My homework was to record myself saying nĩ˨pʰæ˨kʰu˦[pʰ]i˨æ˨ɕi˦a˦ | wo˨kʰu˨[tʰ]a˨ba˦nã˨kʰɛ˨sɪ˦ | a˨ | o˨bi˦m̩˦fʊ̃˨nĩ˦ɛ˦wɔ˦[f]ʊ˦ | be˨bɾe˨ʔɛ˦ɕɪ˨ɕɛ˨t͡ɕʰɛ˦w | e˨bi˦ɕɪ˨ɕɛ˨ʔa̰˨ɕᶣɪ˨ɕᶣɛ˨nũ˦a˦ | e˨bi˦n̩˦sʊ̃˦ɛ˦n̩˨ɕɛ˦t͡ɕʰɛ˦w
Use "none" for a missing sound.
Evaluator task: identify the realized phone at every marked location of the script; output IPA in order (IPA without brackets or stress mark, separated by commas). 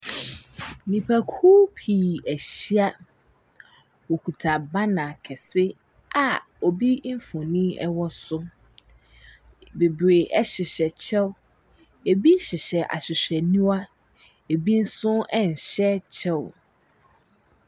pʰ, tʰ, s